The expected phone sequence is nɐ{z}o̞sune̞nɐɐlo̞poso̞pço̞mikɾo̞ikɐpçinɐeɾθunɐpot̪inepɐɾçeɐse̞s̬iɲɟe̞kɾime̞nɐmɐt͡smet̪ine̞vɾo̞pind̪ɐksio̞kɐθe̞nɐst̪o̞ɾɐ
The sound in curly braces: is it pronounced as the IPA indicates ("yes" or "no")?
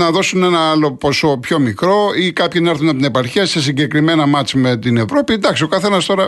no